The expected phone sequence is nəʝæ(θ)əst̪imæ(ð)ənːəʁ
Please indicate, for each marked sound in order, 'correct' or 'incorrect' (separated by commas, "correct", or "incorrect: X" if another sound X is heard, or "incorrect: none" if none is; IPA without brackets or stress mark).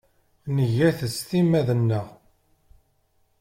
correct, correct